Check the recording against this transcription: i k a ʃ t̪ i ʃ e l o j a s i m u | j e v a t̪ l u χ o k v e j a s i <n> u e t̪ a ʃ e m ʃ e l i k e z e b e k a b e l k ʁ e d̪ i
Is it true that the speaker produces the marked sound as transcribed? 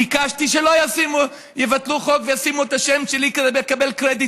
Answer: no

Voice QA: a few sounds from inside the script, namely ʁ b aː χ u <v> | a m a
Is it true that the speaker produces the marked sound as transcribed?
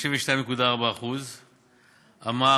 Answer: no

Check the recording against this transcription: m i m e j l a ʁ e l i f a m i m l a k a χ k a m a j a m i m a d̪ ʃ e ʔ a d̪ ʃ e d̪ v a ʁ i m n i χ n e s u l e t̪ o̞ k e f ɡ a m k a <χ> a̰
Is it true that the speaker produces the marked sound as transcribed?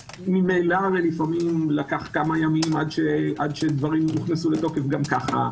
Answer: yes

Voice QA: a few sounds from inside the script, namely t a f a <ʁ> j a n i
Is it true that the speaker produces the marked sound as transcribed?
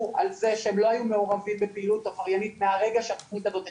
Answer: yes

